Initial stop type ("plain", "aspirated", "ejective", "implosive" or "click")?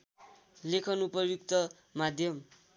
aspirated